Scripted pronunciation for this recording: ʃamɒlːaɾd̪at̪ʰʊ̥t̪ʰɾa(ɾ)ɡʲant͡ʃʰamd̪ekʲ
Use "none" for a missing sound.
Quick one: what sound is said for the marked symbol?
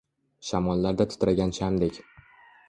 none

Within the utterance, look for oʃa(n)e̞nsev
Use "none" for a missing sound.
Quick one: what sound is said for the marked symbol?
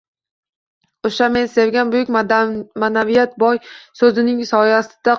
m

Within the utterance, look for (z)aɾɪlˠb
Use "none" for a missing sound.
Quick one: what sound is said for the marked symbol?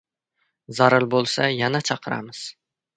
z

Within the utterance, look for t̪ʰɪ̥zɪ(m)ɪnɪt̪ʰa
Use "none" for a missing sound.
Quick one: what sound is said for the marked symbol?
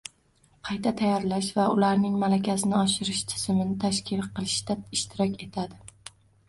m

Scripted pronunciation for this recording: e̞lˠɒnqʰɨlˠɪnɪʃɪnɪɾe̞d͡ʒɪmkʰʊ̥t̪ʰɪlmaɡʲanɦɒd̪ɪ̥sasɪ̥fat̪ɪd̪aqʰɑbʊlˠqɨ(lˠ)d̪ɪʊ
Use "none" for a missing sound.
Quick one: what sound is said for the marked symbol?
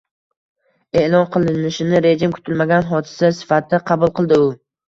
lˠ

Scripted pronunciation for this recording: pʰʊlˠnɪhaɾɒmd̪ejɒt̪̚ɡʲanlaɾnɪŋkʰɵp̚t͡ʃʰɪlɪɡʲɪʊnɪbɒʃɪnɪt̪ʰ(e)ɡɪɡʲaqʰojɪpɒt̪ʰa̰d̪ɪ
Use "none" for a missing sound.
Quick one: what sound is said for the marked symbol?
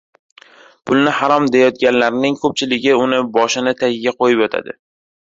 a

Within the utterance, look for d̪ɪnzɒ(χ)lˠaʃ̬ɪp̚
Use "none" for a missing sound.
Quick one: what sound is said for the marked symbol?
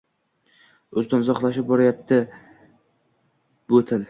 χ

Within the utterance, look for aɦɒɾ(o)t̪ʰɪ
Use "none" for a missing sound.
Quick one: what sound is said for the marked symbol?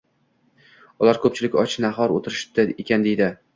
o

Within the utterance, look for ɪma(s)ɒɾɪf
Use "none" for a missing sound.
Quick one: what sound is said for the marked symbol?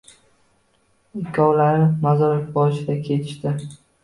z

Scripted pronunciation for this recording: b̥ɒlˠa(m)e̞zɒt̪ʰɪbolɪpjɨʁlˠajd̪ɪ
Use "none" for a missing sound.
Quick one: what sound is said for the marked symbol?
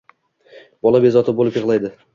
b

